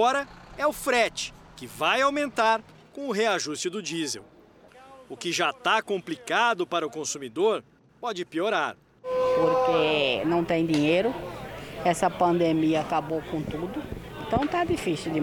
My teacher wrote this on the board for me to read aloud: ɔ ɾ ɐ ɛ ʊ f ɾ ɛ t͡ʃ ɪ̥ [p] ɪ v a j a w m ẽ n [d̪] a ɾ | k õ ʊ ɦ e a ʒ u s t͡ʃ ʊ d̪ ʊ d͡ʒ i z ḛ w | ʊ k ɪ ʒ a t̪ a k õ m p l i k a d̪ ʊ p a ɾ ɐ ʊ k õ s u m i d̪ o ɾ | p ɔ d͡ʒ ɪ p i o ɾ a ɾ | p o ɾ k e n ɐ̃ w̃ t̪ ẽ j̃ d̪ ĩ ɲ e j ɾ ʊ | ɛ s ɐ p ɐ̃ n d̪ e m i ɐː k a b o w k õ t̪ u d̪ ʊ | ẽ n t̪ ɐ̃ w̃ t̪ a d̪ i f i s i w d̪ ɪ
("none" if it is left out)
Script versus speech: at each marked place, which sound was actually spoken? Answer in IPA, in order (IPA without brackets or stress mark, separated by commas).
k, t̪